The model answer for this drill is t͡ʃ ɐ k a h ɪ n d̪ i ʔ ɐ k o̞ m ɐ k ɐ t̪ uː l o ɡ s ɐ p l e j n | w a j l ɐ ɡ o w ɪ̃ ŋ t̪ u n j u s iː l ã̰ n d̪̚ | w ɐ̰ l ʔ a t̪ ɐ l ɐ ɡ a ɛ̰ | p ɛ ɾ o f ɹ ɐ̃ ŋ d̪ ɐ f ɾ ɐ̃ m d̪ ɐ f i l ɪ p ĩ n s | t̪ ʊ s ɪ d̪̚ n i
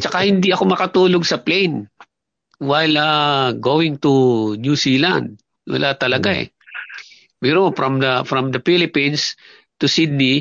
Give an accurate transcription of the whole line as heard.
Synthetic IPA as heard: t͡ʃ ɐ k a h ɪ n d̪ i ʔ ɐ k o̞ m ɐ k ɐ t̪ uː l o ɡ s ɐ p l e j n | w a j l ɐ ɡ o w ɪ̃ ŋ t̪ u n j u s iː l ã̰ n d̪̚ | w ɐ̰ l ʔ a t̪ ɐ l ɐ ɡ a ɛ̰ | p ɛ ɾ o f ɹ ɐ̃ m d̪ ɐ f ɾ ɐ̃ m d̪ ɐ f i l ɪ p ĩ n s | t̪ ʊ s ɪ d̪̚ n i